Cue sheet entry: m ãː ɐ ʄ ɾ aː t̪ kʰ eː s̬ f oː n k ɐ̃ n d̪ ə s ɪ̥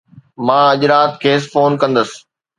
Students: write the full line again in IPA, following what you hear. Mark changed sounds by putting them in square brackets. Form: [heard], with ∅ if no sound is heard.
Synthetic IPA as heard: m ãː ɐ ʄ ɾ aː t̪ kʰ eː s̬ f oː n k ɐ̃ n d̪ ə s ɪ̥